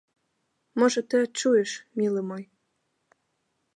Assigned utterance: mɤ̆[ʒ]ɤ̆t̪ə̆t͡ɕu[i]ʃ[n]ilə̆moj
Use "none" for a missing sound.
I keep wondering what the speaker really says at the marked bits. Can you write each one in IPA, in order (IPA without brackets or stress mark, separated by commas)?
ʒ, e, m